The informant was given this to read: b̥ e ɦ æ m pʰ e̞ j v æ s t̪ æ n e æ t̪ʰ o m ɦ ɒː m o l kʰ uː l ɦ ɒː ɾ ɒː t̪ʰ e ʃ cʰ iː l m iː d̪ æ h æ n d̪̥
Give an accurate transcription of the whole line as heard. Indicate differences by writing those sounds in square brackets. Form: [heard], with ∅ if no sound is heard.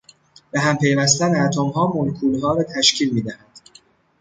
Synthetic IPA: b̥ e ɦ æ m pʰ e̞ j v æ s t̪ æ n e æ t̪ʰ o m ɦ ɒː m o l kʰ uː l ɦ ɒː ɾ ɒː t̪ʰ [æ] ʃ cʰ iː l m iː d̪ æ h æ n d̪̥